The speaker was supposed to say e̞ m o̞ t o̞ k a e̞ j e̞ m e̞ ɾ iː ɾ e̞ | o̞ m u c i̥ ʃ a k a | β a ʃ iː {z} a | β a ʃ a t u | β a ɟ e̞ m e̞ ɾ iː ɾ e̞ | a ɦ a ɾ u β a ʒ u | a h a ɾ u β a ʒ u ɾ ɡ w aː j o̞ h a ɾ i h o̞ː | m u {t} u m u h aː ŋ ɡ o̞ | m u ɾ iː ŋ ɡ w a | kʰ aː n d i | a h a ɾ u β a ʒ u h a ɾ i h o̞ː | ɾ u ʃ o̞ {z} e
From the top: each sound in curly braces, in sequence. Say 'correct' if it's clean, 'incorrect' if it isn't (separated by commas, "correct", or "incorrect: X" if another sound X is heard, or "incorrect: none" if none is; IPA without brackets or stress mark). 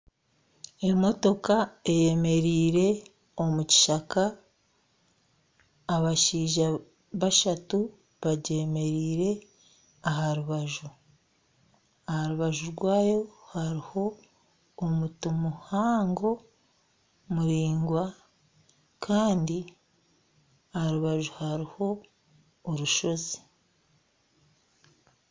incorrect: ʒ, correct, correct